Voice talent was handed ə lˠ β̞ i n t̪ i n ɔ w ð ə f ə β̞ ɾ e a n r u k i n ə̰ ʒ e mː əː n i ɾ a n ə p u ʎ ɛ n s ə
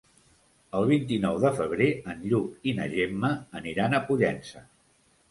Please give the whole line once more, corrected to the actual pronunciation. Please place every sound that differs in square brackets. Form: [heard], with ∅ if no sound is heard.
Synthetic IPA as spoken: ə lˠ β̞ i n t̪ i n ɔ w ð ə f ə β̞ ɾ e [ə] n [ʎ] u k i n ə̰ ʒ e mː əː n i ɾ a n ə p u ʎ ɛ n s ə